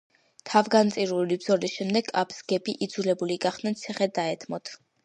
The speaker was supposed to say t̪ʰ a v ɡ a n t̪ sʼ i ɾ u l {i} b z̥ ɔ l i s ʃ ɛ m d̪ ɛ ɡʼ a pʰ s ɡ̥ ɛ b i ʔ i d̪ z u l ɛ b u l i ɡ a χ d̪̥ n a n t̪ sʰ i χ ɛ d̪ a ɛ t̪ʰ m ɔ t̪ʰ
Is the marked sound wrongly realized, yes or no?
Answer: no